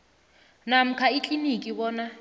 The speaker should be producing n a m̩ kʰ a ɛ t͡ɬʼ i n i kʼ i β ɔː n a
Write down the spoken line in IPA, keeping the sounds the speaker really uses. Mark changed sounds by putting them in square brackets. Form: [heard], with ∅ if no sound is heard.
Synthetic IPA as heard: n a m̩ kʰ a [i] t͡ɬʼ i n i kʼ i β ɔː n a